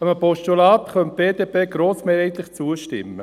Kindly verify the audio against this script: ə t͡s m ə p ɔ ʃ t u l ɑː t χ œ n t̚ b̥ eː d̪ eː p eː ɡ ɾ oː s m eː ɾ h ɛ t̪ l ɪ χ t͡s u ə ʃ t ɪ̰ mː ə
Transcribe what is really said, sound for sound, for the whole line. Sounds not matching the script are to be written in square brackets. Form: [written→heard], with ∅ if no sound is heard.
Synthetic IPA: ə [t͡s→∅] m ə p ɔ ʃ t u l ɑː t χ œ n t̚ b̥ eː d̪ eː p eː ɡ ɾ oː s m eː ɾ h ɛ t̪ l ɪ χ t͡s u ə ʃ t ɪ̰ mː ə